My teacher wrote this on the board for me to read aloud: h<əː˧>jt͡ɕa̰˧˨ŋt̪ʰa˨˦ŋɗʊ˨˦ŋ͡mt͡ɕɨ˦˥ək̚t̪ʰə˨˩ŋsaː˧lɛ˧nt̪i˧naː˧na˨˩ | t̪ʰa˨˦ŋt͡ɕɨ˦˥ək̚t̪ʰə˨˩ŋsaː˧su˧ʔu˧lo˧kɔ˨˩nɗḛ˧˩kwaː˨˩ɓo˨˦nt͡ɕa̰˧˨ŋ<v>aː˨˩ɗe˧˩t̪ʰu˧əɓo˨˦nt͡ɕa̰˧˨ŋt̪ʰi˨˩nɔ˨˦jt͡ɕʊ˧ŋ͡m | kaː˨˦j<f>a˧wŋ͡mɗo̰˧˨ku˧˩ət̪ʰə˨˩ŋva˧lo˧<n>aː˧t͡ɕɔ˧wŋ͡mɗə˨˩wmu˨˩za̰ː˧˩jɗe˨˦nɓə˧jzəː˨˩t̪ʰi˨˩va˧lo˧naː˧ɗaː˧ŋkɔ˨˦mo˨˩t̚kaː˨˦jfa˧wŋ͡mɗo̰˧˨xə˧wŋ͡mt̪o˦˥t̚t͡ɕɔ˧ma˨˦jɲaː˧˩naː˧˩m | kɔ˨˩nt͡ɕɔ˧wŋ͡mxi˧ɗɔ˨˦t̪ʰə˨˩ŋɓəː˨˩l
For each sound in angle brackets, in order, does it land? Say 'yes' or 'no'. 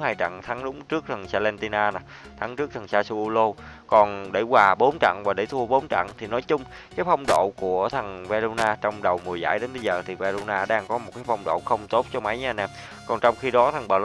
no, yes, yes, yes

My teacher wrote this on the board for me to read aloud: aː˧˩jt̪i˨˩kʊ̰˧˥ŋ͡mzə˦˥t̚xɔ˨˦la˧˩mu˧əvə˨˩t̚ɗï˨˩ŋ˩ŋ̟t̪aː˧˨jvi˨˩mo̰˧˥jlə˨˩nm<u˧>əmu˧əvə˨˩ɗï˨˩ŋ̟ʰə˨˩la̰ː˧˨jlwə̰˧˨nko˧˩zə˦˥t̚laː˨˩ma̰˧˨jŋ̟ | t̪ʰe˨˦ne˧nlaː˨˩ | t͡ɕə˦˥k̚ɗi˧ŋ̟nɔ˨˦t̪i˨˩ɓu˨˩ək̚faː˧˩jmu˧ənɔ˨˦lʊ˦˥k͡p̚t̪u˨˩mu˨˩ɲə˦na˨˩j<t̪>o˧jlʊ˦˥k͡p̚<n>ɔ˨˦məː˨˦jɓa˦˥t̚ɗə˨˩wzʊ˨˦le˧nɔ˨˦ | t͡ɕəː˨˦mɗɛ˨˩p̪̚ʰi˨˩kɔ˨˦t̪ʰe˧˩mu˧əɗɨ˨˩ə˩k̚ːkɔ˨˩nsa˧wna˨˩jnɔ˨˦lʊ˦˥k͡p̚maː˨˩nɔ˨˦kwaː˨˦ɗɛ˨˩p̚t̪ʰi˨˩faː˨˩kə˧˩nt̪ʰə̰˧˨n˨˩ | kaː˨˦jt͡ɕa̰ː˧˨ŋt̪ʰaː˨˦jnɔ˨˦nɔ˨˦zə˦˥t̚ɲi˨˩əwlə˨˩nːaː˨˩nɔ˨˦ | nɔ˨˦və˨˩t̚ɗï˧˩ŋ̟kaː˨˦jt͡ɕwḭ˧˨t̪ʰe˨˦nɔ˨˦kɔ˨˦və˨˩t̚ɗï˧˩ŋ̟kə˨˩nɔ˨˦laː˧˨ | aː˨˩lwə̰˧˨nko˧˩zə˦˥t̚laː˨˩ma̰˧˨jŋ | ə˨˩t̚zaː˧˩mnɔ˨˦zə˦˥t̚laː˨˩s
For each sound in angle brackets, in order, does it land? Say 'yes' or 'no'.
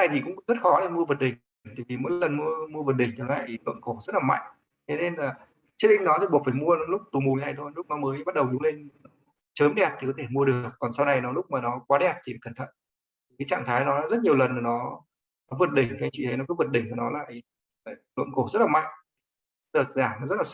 yes, no, yes

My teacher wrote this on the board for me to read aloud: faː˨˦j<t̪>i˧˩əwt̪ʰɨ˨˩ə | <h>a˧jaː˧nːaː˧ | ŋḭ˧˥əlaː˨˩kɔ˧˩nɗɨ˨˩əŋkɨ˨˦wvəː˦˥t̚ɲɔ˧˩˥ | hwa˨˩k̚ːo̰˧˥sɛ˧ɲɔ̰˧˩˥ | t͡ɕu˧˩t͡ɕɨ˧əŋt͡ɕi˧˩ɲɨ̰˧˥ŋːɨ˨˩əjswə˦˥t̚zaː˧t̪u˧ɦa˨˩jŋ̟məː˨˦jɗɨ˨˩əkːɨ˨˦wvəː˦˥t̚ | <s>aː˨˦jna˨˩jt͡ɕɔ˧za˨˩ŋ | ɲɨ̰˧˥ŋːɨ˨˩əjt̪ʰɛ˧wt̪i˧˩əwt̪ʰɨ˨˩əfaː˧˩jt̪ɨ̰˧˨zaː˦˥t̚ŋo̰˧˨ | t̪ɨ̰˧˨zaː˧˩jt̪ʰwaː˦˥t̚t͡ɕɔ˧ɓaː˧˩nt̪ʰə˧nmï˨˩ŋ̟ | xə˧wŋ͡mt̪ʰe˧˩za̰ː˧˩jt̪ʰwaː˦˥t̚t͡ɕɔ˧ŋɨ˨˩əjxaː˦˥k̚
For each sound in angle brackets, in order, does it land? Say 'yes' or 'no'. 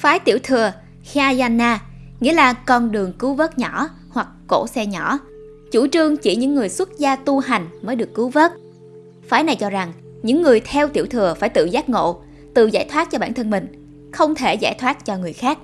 yes, no, no

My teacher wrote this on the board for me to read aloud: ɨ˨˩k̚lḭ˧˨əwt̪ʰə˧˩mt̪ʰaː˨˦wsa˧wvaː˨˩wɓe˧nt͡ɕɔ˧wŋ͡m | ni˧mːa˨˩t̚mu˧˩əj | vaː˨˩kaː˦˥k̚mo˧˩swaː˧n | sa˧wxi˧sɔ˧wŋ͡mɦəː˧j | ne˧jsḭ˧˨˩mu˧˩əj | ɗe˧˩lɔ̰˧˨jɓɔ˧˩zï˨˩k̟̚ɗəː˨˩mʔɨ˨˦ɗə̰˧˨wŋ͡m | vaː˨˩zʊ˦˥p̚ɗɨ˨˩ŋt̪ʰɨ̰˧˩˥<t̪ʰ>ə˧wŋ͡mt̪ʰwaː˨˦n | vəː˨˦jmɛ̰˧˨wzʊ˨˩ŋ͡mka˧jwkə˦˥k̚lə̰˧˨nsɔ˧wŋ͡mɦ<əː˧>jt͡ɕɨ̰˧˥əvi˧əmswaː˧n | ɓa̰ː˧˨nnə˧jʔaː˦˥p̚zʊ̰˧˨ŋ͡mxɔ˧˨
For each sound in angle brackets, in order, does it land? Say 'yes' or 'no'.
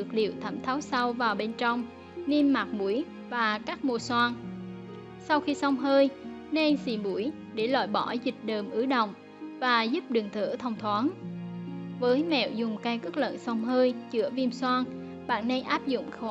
yes, yes

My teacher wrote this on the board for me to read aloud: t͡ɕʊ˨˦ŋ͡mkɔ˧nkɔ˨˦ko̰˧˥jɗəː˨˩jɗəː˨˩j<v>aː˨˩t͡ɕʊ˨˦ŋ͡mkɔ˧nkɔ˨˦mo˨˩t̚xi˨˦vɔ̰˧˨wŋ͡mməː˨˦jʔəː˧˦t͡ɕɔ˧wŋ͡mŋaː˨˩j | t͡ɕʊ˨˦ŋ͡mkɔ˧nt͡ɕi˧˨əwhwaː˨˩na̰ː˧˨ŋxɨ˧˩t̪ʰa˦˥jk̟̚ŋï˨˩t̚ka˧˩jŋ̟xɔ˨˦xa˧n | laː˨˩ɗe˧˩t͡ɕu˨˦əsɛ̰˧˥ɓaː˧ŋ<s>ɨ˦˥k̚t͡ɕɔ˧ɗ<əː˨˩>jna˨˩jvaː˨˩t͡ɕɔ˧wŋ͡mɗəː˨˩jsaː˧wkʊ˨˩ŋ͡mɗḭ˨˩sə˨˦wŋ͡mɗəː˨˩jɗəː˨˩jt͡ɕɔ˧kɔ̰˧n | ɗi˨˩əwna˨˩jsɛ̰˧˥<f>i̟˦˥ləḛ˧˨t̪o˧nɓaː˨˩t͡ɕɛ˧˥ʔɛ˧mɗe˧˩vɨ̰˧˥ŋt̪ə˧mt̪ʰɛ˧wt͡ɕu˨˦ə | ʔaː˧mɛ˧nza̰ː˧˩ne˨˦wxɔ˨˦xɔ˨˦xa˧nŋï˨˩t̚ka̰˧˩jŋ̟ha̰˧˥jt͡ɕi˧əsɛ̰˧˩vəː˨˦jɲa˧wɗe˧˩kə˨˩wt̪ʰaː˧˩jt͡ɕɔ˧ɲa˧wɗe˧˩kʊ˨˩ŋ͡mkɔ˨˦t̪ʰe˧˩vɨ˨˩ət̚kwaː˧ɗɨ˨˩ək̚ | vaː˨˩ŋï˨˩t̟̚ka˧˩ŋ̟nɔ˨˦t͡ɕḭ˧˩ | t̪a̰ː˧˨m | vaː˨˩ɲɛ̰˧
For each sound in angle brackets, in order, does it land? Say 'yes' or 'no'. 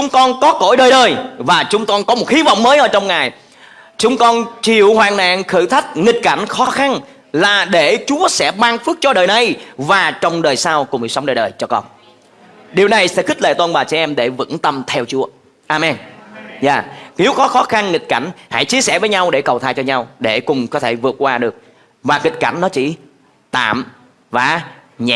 yes, no, yes, no

